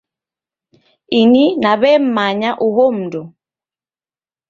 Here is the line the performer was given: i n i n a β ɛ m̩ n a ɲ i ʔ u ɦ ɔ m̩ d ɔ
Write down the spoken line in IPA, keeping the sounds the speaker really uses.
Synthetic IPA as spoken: i n i n a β ɛ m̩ m a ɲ a ʔ u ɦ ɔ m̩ d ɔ